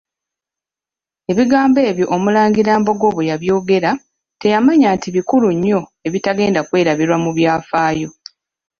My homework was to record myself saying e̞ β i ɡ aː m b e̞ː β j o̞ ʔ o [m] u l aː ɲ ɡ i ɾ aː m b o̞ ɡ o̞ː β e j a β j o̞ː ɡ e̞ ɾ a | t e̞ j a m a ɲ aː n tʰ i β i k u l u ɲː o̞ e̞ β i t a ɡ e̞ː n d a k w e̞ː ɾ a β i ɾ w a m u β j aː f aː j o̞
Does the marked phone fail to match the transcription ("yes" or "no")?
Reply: no